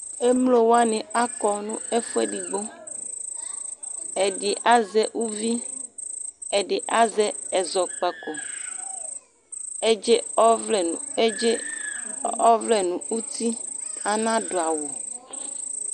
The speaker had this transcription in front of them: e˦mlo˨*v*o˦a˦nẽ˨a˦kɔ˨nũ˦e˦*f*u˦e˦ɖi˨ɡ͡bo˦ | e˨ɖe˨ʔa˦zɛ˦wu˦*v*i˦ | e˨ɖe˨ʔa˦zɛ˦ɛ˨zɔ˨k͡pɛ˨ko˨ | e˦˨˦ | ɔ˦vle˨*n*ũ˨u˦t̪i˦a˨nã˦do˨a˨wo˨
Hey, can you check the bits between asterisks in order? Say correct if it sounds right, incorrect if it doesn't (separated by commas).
incorrect, correct, correct, correct